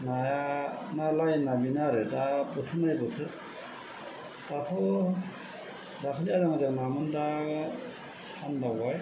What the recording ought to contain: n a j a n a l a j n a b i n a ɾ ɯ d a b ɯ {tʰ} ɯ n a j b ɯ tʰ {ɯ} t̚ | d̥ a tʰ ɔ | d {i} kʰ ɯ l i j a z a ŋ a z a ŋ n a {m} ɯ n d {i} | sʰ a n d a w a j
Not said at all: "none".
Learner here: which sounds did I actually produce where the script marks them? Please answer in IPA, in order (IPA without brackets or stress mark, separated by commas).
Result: tʰ, ɯ, a, m, a